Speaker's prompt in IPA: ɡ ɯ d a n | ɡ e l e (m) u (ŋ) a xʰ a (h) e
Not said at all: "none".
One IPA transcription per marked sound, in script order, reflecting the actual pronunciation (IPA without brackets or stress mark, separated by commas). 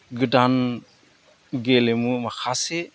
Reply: m, m, s